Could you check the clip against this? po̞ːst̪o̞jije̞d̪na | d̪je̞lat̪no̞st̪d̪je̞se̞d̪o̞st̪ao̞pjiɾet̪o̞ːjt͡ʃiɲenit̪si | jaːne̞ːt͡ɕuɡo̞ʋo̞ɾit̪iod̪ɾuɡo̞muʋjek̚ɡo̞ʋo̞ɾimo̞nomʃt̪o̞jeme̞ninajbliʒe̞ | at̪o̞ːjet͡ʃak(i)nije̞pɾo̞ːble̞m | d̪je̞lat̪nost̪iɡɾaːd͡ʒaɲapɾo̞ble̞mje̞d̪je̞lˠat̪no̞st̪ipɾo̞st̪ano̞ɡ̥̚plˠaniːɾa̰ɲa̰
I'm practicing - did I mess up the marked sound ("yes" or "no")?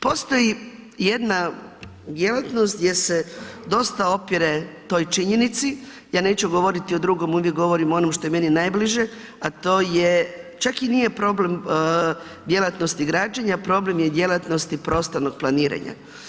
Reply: no